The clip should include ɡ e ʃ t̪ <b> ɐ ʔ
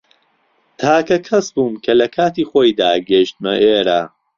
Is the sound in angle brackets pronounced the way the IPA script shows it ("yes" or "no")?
no